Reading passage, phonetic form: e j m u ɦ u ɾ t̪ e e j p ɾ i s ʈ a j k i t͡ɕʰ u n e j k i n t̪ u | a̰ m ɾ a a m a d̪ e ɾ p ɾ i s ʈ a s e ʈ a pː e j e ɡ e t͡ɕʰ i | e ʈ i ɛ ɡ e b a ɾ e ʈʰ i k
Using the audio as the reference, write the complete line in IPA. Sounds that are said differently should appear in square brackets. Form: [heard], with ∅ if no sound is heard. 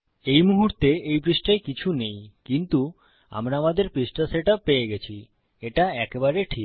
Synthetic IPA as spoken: e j m u ɦ u ɾ t̪ e e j p ɾ i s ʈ a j k i t͡ɕʰ u n e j k i n t̪ u | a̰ m ɾ a a m a d̪ e ɾ p ɾ i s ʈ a s e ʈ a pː e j e ɡ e t͡ɕʰ i | e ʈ [a] ɛ [k] e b a ɾ e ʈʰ i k